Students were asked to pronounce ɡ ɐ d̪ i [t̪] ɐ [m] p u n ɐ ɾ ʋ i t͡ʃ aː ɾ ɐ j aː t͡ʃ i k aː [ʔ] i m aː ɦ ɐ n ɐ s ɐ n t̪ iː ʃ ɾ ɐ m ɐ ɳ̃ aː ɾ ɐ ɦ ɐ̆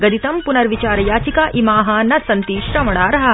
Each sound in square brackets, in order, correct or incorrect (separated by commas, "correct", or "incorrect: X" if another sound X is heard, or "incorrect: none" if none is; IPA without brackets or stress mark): correct, correct, correct